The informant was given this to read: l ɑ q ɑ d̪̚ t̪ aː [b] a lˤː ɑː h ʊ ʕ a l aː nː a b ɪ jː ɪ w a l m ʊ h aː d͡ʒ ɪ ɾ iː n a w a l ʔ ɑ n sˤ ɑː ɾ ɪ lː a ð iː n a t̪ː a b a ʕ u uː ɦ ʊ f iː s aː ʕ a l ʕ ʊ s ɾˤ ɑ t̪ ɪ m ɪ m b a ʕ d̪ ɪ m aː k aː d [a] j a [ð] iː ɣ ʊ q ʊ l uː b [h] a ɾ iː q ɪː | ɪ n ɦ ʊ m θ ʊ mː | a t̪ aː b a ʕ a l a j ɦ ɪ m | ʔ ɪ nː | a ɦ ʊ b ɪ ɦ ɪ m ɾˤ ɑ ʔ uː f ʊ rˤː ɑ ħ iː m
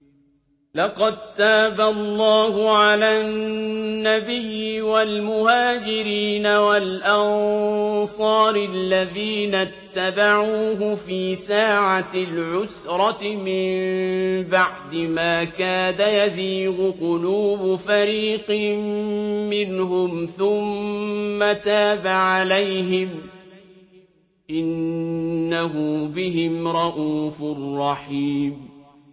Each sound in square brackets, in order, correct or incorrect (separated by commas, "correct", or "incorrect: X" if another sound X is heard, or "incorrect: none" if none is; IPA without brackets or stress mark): correct, correct, incorrect: z, incorrect: f